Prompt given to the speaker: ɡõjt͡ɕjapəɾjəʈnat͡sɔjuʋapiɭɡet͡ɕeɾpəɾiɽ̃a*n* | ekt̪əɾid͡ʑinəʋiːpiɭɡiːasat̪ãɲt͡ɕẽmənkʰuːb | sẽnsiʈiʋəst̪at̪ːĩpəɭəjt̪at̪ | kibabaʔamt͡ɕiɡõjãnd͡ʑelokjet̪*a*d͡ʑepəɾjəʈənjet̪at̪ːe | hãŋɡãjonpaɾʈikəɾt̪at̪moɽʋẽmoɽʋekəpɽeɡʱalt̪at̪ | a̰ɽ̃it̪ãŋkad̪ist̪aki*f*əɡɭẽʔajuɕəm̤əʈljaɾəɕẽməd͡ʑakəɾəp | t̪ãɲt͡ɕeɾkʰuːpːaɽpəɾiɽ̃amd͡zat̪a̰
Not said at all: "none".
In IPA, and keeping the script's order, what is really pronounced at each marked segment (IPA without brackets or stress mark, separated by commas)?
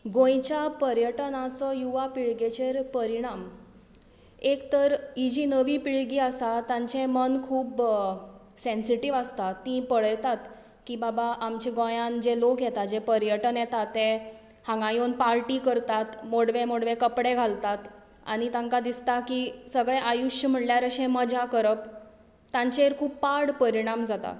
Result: m, a, s